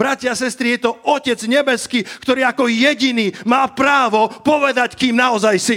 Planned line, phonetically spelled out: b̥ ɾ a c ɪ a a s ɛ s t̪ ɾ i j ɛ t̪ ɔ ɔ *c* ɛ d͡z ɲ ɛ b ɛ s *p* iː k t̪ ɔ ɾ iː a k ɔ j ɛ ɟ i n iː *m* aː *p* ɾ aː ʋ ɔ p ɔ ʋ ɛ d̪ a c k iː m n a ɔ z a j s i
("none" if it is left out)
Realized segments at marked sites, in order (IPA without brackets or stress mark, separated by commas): c, k, m, p